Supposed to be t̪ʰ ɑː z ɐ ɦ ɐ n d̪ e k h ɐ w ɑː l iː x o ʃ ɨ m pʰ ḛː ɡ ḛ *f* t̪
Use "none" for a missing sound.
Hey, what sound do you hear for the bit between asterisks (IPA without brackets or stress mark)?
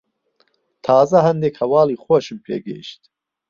ʃ